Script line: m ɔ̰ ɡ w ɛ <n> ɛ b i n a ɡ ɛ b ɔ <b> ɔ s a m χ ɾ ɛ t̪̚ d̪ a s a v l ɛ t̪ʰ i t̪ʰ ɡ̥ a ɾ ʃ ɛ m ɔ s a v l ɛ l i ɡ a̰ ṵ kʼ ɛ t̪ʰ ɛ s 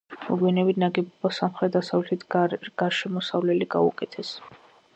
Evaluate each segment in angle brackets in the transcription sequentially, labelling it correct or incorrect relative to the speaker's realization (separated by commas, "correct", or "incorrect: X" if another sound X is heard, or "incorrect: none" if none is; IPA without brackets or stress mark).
correct, correct